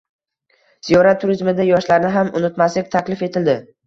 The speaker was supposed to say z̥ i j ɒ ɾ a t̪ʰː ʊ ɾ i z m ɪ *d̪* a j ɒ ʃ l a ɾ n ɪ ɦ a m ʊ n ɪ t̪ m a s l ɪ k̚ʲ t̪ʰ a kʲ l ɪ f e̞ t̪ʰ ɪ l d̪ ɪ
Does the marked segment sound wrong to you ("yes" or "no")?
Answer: no